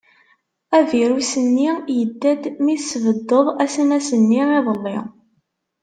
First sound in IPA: æ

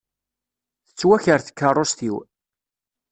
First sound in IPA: θ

